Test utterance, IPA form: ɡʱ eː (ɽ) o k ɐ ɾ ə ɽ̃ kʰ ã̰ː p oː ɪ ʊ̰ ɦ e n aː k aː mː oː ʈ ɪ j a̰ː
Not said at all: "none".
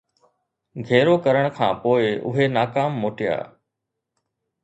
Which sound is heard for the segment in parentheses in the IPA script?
ɾ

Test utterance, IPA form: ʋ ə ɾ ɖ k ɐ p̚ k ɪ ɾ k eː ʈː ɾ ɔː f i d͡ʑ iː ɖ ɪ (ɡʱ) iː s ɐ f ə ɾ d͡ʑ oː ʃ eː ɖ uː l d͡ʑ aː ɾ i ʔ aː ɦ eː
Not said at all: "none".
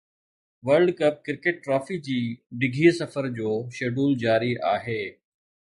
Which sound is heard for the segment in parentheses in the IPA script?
ɡʱ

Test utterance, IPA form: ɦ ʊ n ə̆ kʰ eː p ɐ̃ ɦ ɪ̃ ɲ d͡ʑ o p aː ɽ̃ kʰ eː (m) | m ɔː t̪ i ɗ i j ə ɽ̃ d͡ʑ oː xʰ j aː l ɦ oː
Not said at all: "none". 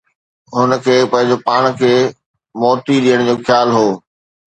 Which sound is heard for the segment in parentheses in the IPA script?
none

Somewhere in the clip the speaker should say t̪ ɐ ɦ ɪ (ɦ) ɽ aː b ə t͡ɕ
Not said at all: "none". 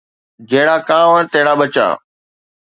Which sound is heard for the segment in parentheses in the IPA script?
none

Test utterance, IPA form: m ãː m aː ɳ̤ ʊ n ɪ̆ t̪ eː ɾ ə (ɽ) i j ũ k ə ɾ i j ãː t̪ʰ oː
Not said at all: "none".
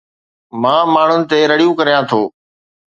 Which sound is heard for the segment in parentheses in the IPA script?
ɽ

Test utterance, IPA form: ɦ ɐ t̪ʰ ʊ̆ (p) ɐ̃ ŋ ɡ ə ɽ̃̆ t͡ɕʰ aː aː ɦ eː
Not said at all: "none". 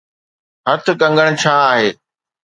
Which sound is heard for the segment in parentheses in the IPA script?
k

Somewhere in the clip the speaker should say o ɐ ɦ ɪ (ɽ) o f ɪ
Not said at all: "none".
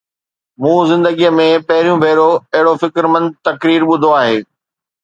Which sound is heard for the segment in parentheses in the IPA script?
ɽ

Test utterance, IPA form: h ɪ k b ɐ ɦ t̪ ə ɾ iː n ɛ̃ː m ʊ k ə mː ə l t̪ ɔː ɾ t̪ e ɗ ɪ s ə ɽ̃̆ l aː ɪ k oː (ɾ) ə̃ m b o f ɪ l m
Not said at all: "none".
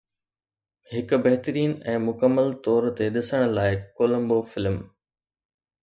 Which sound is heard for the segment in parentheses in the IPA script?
l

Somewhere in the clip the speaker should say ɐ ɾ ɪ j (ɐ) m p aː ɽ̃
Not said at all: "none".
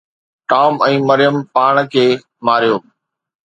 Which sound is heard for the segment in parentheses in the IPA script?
ə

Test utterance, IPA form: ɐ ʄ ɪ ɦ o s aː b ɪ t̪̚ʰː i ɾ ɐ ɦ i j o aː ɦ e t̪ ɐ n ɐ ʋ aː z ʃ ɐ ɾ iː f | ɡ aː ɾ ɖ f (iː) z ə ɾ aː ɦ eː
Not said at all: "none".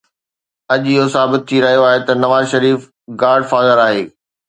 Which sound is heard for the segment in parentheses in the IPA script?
aː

